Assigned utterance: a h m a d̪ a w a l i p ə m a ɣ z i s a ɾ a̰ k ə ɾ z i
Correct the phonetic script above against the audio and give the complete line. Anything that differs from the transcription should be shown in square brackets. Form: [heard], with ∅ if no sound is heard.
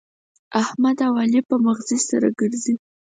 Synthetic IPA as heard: a h m a d̪ a w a l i p ə m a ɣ z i s a ɾ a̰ [ɡ] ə ɾ z i